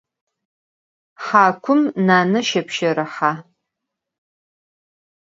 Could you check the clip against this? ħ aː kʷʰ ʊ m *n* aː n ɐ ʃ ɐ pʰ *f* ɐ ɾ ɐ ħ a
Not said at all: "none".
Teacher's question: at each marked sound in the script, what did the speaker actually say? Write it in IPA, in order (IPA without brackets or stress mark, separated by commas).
n, ʃ